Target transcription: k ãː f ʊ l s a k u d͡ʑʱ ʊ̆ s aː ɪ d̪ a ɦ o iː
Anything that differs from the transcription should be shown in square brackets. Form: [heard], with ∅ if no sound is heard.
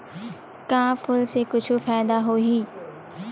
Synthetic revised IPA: k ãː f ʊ l s [e] k [ʊ] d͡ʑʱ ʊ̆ [f] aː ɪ d̪ a ɦ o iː